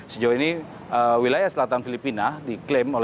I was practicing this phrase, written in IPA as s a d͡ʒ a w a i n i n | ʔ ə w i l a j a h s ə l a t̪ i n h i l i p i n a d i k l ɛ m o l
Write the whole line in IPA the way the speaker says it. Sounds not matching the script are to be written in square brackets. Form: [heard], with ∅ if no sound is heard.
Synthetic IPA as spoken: s [ə] d͡ʒ a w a i n i [∅] | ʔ ə w i l a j a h s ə l a t̪ [a] n [f] i l i p i n a d i k l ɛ m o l